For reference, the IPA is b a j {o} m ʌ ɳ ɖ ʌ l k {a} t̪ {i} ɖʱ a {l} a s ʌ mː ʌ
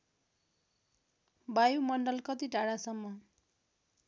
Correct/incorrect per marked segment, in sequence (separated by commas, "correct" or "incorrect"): incorrect, incorrect, correct, incorrect